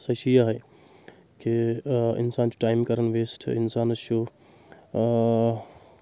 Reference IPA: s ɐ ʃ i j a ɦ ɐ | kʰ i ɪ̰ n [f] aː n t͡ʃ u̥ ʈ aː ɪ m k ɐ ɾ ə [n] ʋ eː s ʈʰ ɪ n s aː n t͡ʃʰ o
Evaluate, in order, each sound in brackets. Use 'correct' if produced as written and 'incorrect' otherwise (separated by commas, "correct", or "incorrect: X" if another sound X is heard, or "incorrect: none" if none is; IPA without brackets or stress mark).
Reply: incorrect: s, correct